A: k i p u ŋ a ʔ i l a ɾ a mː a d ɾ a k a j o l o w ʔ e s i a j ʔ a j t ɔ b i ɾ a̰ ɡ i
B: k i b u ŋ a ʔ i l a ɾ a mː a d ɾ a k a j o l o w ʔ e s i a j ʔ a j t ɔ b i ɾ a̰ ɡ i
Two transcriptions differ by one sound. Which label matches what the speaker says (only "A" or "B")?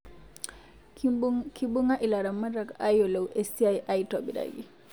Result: B